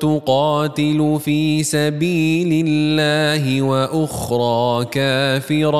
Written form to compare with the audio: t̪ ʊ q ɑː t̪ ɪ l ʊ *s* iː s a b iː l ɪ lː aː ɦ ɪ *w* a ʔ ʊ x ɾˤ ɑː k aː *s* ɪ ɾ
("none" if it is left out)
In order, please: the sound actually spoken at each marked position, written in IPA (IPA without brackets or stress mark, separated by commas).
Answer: f, w, f